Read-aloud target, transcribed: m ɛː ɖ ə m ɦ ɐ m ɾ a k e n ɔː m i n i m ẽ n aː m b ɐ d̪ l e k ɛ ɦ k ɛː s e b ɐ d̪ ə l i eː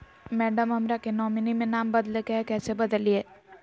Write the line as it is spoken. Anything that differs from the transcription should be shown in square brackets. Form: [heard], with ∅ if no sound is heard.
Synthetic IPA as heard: m ɛː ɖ ə m ɦ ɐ m ɾ a k e n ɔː m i n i m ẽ n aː m b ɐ d̪ l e k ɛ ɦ k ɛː s e b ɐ d̪ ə l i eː